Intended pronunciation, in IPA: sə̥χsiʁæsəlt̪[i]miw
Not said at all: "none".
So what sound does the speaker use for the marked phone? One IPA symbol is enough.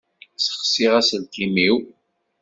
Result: i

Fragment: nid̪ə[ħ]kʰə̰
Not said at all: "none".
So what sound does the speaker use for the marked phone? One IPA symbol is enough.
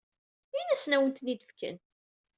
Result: f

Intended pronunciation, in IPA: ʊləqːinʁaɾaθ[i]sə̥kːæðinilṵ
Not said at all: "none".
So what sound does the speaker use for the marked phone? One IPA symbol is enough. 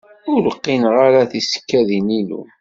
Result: i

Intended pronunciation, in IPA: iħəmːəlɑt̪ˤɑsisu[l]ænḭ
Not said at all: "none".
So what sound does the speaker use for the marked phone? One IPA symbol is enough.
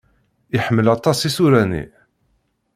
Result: ɾ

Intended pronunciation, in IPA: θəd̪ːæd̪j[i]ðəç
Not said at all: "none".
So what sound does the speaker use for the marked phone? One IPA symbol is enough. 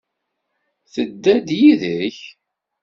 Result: i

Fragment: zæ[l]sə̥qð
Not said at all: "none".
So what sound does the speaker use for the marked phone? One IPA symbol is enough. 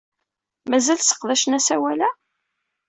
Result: l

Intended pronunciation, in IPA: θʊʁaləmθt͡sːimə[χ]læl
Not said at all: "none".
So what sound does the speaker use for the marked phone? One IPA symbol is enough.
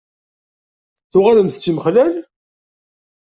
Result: χ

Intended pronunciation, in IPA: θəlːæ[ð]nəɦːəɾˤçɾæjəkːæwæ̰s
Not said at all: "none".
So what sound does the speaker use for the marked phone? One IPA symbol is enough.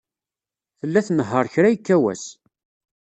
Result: θ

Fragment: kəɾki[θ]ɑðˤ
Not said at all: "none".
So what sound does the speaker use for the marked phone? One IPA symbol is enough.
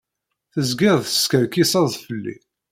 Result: s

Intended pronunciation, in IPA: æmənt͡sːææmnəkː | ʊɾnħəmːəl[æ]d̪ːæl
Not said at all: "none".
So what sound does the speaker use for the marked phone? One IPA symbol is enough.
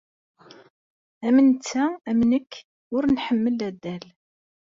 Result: æ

